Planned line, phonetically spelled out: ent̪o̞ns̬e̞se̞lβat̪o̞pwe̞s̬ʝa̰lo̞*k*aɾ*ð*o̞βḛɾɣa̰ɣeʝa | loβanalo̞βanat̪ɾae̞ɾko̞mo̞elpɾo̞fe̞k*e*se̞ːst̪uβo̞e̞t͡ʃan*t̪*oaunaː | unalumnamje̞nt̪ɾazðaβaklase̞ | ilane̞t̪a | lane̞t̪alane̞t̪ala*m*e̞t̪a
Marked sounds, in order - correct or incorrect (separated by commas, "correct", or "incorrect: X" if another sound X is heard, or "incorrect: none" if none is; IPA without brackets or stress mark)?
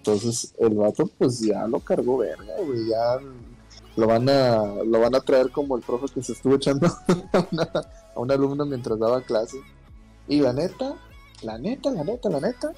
correct, incorrect: ɣ, correct, incorrect: d̪, incorrect: n